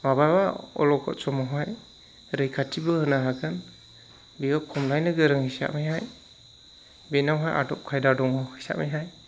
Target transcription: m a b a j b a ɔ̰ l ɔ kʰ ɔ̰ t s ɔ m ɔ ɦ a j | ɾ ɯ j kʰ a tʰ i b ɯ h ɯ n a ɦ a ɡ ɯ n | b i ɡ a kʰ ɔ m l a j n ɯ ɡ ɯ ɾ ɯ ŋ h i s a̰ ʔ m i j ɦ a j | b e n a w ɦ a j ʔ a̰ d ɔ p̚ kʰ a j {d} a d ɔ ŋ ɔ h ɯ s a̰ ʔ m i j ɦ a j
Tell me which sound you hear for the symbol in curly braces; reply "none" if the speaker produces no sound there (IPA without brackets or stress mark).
d